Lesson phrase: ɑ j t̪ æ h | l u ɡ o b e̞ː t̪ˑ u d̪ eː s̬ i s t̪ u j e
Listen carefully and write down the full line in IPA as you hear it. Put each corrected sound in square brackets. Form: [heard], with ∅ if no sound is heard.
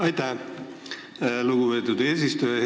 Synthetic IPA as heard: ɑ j t̪ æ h | l u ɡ [u] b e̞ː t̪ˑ u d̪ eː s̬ i s t̪ u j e